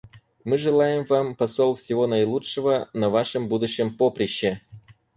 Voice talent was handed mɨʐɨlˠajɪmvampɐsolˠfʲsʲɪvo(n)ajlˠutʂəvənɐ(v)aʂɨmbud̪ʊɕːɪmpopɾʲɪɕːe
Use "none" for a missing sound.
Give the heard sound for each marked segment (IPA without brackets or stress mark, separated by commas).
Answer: n, v